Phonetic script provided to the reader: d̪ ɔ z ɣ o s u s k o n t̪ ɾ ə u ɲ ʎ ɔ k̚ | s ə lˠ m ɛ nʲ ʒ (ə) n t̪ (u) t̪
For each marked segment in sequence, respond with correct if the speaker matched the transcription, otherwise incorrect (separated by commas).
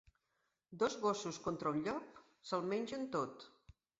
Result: correct, incorrect